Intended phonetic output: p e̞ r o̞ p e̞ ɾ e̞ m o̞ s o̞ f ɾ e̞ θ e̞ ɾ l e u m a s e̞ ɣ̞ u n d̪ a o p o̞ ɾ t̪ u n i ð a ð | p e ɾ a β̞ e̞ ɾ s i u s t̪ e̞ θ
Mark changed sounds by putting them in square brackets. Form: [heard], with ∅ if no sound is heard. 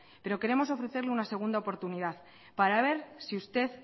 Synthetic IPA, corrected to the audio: p e̞ [ɾ] o̞ [k] e̞ ɾ e̞ m o̞ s o̞ f ɾ e̞ θ e̞ ɾ l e u [n] a s e̞ ɣ̞ u n d̪ a o p o̞ ɾ t̪ u n i ð a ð | p [a] ɾ a β̞ e̞ ɾ s i u s t̪ e̞ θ